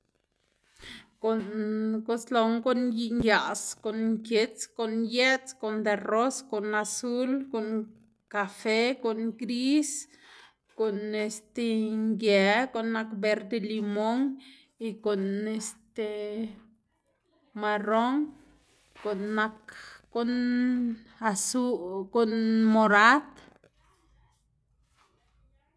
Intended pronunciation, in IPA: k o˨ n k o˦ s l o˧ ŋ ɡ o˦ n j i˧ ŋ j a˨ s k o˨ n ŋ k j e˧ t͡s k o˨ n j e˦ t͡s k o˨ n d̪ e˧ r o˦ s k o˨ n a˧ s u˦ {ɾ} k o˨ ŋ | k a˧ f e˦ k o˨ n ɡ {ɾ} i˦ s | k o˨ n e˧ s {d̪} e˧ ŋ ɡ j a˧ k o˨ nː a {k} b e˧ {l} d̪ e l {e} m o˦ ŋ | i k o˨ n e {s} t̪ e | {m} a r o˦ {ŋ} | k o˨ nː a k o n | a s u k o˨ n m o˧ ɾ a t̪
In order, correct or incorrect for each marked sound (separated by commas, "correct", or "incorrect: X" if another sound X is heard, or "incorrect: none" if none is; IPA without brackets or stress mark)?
incorrect: l, correct, incorrect: t̪, correct, incorrect: ɾ, incorrect: i, correct, correct, correct